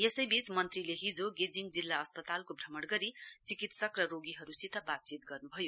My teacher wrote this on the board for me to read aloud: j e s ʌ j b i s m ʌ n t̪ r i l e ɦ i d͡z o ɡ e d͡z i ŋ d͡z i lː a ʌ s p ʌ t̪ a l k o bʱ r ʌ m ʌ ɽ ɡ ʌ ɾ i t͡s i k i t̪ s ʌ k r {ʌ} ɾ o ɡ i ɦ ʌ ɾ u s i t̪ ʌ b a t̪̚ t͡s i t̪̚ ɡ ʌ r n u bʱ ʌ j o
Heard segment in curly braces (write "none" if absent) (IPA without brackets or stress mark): ʌ